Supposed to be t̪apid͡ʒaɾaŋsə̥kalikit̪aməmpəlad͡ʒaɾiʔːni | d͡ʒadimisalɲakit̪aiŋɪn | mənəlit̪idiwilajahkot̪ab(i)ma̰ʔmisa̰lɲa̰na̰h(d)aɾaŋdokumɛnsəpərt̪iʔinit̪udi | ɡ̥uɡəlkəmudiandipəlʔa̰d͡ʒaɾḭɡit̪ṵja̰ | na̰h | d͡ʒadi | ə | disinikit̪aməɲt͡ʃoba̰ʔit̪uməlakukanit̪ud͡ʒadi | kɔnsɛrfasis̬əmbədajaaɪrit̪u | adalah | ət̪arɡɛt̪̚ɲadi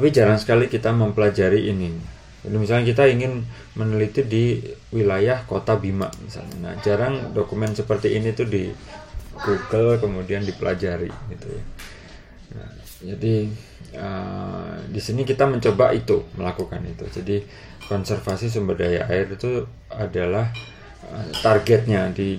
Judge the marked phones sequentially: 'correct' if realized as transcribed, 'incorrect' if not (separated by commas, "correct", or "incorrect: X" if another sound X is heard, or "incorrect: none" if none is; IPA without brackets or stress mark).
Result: correct, incorrect: d͡ʒ